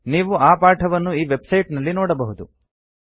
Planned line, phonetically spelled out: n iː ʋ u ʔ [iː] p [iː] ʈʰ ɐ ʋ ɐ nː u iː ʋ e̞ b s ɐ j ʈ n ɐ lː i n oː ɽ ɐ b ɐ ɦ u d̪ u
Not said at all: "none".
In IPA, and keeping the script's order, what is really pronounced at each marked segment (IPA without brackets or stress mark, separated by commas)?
aː, aː